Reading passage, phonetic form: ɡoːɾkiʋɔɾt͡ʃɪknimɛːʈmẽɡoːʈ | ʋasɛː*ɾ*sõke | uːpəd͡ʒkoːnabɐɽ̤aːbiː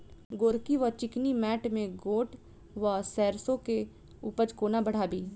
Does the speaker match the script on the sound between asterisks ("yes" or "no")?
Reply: yes